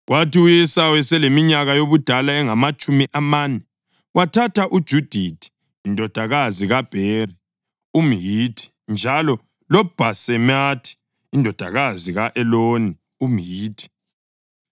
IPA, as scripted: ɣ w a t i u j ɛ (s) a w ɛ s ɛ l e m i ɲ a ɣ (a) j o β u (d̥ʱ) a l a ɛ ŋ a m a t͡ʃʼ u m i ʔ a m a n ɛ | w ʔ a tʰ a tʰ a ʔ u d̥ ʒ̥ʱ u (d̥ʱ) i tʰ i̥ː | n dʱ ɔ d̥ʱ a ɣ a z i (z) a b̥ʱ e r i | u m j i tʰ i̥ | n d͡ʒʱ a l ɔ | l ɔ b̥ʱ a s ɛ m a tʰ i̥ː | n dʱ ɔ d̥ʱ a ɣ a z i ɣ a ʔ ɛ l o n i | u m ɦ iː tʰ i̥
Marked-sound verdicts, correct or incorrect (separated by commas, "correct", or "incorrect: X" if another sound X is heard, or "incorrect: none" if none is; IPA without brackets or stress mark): correct, correct, correct, correct, incorrect: ɣ